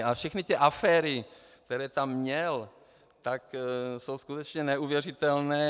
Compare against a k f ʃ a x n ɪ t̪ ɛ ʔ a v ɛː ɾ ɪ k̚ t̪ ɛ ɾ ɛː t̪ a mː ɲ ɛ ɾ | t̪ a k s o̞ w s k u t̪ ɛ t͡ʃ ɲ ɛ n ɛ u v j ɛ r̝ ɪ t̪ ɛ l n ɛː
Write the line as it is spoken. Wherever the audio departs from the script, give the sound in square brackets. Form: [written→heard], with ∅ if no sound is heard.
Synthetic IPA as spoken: a [k→∅] f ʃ [a→ɛ] x n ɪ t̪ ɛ ʔ a [v→f] ɛː ɾ ɪ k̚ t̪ ɛ ɾ ɛː t̪ a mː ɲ ɛ [ɾ→l] | t̪ a k s o̞ w s k u t̪ ɛ t͡ʃ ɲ ɛ n ɛ u v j ɛ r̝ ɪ t̪ ɛ l n ɛː

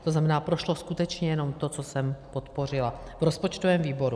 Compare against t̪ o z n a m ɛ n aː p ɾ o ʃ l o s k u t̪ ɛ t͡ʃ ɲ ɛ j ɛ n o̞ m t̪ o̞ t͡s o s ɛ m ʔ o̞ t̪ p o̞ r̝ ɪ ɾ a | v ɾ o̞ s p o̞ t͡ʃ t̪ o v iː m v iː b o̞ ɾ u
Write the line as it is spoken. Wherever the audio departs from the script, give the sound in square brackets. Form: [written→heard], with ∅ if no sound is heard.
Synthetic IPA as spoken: t̪ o z n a m ɛ n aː p ɾ o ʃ l o s k u t̪ ɛ t͡ʃ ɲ ɛ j ɛ n o̞ m t̪ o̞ t͡s o s ɛ m [ʔ→p] o̞ t̪ p o̞ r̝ ɪ [ɾ→l] a | v ɾ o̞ s p o̞ t͡ʃ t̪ o v [iː→ɛː] m v iː b o̞ ɾ u

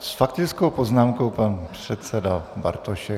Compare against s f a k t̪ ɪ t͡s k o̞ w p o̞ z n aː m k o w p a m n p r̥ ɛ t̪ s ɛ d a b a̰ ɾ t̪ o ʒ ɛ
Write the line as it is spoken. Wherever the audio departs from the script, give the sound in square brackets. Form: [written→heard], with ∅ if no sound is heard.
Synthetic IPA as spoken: s f a k t̪ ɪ t͡s k o̞ w p o̞ z n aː m k o w p a [m→∅] n p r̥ ɛ t̪ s ɛ d a b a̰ ɾ t̪ o [ʒ→ʃ] ɛ

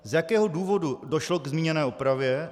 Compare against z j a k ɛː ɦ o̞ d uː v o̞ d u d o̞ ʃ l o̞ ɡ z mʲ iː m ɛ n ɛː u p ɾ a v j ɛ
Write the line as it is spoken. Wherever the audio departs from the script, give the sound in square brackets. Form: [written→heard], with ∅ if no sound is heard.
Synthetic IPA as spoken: z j a k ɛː ɦ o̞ d uː v o̞ d u d o̞ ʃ l o̞ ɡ z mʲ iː [m→ɲ] ɛ n ɛː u p ɾ a v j ɛ

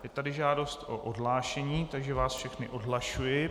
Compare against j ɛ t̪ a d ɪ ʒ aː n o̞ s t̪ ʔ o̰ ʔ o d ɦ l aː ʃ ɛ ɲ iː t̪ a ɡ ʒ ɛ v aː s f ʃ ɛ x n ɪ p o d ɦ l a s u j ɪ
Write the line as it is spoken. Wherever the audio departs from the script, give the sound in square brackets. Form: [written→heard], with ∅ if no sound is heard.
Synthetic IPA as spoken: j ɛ t̪ a d ɪ ʒ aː [n→d] o̞ s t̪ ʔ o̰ ʔ o d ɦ l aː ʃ ɛ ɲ iː t̪ a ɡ ʒ ɛ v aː s f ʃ ɛ x n ɪ [p→ʔ] o d ɦ l a [s→ʃ] u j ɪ

